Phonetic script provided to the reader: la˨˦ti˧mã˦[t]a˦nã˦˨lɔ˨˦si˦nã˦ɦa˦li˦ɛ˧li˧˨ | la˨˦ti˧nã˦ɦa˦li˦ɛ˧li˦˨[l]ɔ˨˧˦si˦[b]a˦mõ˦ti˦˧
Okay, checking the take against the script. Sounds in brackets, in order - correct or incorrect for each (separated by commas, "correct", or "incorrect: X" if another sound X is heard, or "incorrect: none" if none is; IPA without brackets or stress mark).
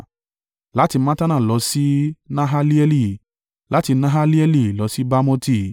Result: correct, correct, correct